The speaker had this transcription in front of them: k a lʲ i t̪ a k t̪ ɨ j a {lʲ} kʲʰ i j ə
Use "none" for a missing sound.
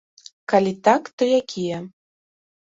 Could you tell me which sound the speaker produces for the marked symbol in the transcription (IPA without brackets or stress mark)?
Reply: none